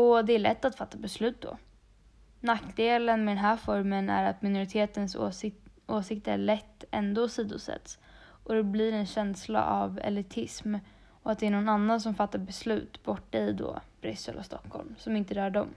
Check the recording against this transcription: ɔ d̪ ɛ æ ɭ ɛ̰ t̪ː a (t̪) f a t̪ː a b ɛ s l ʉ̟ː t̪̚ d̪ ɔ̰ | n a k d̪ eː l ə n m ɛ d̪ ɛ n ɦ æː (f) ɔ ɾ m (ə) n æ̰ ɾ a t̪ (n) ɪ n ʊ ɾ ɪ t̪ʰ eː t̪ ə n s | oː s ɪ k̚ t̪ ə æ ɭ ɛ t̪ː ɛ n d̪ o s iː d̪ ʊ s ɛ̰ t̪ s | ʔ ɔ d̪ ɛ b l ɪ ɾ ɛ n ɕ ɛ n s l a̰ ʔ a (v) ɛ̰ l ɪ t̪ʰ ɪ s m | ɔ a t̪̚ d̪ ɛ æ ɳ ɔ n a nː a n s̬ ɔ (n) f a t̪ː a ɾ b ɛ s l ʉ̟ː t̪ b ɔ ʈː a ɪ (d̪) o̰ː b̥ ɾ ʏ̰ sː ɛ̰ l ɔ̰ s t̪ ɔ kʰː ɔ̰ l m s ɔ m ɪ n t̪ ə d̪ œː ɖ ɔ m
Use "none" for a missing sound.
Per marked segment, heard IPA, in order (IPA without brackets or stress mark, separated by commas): t̪, f, ə, m, v, m, d̪